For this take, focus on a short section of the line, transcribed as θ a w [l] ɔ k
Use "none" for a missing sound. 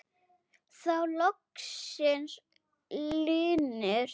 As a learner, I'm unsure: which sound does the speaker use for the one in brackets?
l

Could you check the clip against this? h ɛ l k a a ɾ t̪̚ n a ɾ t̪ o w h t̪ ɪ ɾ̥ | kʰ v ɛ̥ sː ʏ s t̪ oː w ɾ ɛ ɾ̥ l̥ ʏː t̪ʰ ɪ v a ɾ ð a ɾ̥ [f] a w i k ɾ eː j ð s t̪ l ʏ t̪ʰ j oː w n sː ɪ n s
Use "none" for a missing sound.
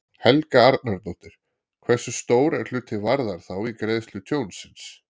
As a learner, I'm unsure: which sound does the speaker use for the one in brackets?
θ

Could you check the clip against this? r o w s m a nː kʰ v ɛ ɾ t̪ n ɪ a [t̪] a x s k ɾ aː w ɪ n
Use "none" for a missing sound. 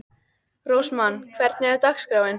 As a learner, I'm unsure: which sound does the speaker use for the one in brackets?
t̪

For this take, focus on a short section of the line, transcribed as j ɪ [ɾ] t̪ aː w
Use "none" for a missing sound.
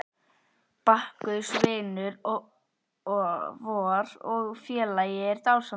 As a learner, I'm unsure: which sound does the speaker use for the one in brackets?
ɾ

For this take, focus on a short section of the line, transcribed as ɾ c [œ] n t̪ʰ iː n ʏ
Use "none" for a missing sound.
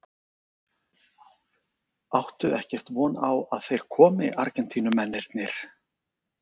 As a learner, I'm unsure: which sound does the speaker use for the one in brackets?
ɛ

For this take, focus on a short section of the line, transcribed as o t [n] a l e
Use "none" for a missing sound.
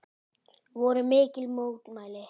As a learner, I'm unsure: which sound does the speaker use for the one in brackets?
m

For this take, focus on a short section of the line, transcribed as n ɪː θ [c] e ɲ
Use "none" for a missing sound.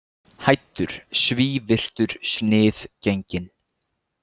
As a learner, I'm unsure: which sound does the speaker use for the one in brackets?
c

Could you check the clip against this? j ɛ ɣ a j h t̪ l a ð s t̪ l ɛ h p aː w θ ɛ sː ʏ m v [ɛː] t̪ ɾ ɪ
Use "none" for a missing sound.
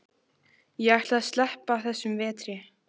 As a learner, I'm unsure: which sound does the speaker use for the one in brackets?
ɛː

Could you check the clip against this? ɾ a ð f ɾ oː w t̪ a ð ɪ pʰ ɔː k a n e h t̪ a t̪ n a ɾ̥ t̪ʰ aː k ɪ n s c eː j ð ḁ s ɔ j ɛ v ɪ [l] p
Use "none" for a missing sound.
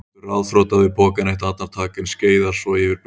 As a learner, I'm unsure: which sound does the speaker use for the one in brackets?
ɾ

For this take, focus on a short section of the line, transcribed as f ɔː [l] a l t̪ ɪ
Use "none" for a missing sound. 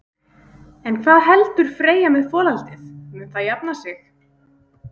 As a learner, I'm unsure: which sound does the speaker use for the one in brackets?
l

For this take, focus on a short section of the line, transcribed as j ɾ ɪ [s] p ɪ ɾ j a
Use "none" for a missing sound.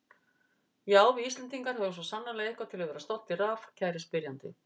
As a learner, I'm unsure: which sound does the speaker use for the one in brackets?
s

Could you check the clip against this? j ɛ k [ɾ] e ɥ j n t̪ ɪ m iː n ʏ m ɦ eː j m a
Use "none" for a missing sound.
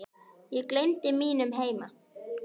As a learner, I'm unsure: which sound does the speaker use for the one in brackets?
l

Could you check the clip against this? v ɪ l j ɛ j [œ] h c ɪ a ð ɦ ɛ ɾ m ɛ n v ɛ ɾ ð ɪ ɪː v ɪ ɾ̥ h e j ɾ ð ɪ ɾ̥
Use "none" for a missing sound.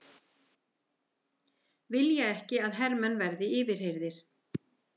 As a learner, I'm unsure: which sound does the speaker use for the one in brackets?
ɛ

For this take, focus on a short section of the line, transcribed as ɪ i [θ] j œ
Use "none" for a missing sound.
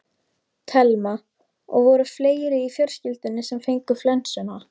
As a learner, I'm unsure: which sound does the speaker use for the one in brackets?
f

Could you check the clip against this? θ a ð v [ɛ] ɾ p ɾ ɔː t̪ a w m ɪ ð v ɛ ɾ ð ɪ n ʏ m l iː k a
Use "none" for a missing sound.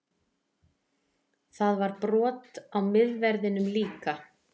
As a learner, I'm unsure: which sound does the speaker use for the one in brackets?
a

